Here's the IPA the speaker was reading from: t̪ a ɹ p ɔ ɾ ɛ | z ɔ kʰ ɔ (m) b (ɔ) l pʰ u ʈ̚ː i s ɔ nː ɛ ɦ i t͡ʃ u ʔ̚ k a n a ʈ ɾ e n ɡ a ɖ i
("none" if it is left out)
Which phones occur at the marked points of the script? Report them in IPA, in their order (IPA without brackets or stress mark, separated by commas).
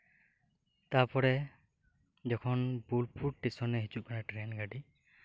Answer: n, u